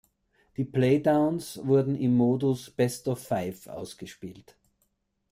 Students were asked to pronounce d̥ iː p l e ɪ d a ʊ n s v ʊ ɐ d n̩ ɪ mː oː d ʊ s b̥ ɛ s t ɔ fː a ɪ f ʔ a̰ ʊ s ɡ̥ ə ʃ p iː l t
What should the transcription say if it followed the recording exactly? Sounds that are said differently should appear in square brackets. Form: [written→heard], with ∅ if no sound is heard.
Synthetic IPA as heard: d̥ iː p l e ɪ d a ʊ n s v ʊ ɐ d n̩ ɪ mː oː d ʊ s b̥ ɛ s t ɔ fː a ɪ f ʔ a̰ ʊ s ɡ̥ ə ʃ p iː l t